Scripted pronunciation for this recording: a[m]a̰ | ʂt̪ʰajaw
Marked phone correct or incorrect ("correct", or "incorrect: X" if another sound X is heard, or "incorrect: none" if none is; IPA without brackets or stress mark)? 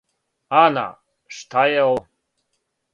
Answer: incorrect: n